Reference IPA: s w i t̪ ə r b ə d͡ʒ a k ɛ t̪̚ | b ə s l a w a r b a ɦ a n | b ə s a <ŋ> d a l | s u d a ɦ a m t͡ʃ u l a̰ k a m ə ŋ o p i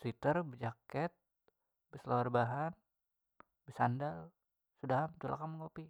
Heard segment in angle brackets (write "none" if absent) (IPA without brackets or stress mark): n